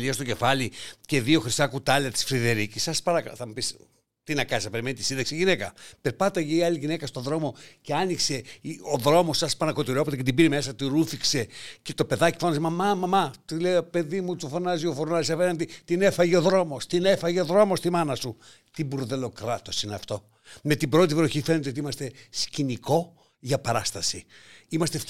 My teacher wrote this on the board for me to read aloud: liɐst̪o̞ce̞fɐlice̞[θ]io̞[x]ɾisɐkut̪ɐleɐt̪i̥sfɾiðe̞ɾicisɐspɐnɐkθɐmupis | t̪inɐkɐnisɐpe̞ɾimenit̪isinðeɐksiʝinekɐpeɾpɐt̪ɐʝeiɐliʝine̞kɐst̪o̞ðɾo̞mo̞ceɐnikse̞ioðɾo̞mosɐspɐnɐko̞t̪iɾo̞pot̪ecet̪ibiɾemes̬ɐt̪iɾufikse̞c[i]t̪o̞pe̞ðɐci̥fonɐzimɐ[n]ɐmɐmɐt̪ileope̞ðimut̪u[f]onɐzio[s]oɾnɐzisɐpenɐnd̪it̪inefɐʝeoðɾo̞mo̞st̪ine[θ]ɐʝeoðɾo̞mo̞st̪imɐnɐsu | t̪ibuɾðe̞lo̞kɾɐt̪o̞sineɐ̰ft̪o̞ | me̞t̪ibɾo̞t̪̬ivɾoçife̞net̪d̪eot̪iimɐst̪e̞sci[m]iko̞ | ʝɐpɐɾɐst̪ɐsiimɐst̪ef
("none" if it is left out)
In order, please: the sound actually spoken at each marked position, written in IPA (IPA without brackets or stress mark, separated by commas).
ð, x, e, m, f, f, f, n